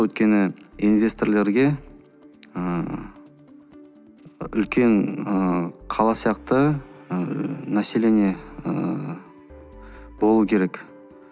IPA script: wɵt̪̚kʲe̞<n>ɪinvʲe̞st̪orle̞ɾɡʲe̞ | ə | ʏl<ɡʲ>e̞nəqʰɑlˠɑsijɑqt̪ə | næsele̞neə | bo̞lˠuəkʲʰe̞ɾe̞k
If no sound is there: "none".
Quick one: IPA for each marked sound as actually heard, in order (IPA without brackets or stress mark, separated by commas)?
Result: n, kʲ